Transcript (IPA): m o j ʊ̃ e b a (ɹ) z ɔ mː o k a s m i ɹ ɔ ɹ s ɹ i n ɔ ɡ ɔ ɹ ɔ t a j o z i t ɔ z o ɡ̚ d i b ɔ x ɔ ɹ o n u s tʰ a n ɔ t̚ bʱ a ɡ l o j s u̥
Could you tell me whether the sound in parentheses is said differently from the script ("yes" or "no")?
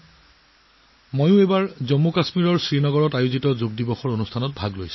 no